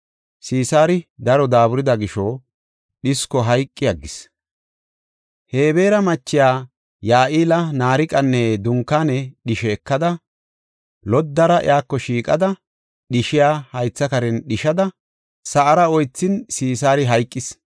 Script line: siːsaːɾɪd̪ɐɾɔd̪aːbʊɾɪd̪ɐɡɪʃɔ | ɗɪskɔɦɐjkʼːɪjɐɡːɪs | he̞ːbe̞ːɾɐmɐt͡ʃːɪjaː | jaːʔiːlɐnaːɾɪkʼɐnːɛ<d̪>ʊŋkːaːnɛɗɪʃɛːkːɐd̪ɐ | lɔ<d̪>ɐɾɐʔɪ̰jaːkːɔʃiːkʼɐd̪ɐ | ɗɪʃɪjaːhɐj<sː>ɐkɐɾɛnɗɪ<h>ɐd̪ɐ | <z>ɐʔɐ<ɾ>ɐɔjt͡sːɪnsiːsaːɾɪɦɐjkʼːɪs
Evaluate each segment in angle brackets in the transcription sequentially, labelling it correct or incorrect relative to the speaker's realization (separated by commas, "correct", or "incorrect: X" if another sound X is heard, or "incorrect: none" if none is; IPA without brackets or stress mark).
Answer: correct, incorrect: d̪ː, incorrect: t͡sː, incorrect: ʃ, incorrect: s, correct